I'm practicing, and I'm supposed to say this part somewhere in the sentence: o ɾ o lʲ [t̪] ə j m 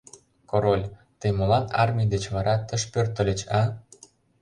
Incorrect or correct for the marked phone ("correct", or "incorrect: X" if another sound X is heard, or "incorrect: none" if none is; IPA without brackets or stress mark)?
correct